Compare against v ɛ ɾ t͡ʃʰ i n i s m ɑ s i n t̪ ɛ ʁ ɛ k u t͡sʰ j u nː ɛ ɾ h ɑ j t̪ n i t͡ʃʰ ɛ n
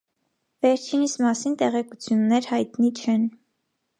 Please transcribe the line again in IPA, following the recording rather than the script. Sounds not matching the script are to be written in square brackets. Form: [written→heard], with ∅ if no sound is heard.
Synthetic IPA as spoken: v ɛ ɾ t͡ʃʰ i n i s m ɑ s i n t̪ ɛ ʁ ɛ k u t͡sʰ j u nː ɛ ɾ h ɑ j t̪ n i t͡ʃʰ ɛ n